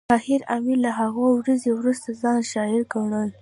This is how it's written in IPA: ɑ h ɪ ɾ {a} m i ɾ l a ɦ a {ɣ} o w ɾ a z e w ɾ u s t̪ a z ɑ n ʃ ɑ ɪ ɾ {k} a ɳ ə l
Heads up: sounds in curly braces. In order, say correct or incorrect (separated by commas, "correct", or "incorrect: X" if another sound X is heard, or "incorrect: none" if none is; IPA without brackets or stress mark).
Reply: correct, correct, incorrect: ɡ